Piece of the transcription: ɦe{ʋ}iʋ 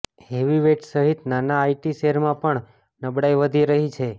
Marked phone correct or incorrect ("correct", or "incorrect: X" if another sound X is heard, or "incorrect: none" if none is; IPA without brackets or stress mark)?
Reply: correct